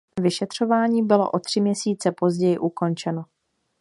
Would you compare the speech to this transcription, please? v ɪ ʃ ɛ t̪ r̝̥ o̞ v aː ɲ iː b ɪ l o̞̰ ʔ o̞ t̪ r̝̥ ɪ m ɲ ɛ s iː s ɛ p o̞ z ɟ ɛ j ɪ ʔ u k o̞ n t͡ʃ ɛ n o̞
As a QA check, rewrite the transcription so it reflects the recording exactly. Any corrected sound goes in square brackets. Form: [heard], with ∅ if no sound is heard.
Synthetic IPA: v ɪ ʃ ɛ t̪ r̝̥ o̞ v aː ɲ iː b ɪ l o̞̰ ʔ o̞ t̪ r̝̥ ɪ m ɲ ɛ s iː [t͡s] ɛ p o̞ z ɟ ɛ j ɪ ʔ u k o̞ n t͡ʃ ɛ n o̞